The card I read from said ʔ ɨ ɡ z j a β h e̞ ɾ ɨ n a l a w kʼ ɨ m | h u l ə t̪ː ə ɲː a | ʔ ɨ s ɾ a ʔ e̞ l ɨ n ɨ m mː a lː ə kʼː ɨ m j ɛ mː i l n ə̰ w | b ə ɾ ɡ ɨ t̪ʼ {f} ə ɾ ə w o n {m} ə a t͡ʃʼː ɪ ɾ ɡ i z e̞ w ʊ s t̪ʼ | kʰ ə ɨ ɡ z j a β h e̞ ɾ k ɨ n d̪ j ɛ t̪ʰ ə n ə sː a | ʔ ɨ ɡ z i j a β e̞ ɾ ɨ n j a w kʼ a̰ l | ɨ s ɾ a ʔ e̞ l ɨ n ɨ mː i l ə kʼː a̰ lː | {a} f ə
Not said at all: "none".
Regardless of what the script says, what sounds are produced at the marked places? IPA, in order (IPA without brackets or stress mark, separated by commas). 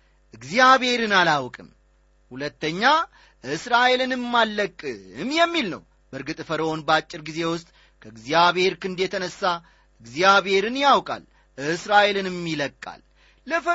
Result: f, b, ə